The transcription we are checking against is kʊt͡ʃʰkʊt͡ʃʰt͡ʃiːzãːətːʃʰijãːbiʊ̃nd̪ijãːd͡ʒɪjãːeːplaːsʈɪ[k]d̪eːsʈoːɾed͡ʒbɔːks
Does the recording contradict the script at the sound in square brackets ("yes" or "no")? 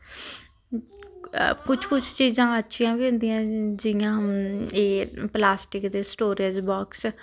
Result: no